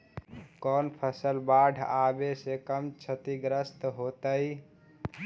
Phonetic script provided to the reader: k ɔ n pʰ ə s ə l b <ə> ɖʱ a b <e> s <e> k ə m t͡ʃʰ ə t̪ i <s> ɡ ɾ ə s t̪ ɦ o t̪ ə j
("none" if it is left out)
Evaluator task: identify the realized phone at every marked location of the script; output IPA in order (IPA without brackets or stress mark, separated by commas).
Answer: a, e, e, none